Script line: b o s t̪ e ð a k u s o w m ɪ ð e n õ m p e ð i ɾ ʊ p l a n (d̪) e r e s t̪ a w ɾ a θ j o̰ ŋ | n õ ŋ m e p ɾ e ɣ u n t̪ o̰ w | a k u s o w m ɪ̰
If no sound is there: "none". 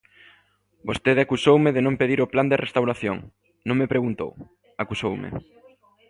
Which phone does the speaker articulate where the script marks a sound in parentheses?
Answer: d̪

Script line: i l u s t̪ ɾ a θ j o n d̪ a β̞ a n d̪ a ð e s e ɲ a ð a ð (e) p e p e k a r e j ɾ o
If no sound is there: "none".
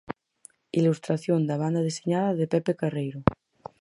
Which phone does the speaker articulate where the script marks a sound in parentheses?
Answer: e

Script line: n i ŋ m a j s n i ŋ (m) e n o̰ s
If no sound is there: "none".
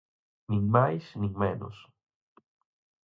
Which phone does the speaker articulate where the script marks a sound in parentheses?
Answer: m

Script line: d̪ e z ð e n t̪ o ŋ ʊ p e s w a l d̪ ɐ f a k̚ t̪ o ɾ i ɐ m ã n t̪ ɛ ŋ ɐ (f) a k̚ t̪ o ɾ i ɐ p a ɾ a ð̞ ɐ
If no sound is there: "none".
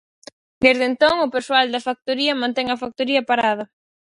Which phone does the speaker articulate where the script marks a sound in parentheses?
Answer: f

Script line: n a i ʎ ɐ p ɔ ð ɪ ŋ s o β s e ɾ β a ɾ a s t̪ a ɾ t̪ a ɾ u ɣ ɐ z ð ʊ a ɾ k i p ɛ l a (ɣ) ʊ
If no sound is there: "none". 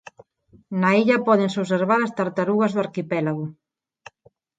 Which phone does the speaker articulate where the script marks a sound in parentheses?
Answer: ɣ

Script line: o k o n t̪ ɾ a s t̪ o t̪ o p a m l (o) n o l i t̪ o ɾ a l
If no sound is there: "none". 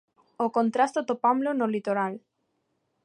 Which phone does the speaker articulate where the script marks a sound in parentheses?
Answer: o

